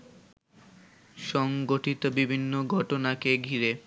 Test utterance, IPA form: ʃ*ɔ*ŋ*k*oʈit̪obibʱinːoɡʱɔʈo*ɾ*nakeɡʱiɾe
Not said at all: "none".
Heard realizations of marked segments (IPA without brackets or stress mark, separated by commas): ɔ, ɡ, none